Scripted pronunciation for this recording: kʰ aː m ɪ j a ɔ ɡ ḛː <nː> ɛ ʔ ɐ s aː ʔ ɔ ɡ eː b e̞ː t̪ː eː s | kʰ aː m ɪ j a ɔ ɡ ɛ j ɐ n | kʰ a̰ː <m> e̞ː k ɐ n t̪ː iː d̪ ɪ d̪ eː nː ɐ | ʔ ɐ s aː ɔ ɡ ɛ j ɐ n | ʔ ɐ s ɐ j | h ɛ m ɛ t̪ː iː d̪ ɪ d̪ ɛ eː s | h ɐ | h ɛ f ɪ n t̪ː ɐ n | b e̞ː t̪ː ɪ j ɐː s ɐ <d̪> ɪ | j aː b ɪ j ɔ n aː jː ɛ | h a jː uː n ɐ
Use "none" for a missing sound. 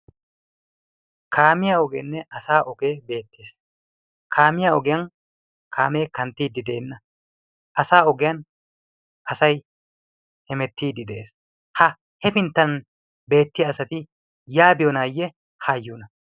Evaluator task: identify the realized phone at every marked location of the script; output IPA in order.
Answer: nː, m, t̪

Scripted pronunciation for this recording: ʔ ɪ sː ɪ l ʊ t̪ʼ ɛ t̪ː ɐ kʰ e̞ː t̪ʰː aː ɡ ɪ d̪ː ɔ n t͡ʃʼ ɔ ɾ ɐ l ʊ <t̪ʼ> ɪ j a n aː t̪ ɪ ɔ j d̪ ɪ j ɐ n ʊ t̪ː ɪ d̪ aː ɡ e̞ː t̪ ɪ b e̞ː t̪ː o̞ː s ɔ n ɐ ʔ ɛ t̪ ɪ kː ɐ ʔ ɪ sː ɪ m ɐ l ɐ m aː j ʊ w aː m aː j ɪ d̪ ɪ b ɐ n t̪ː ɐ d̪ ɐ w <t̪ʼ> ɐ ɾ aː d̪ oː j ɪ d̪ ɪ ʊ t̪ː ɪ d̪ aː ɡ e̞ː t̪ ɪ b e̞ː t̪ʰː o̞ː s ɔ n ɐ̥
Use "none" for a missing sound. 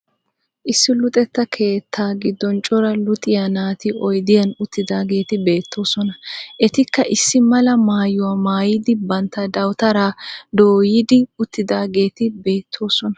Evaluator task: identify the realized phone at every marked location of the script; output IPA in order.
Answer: t̪ʼ, t̪

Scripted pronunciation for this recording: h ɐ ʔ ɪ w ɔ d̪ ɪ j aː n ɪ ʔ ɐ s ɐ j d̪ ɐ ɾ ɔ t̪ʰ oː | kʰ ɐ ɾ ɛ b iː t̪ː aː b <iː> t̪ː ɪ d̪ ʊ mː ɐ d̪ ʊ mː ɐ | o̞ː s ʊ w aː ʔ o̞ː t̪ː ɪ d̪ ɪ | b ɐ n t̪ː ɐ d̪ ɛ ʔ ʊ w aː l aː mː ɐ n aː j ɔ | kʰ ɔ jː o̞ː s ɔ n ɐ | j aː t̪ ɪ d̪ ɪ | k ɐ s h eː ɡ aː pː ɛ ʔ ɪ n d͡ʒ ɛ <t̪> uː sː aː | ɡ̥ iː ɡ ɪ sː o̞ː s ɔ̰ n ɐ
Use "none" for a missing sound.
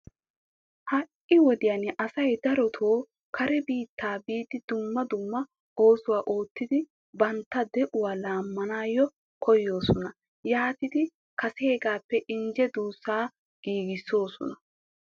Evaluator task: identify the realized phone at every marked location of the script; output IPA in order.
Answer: iː, d̪

